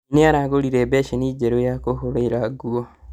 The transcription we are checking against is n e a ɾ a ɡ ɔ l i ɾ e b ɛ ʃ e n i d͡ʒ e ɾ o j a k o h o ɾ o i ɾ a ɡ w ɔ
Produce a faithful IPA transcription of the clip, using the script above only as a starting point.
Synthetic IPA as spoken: n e a ɾ a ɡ o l i ɾ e b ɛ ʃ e n i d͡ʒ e ɾ o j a k o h o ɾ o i ɾ a ɡ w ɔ